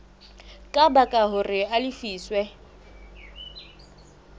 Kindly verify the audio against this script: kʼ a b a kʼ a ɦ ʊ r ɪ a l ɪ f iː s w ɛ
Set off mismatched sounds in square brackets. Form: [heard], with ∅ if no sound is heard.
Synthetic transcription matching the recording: kʼ a b a kʼ a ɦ ʊ r ɪ a l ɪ f iː s w ɛ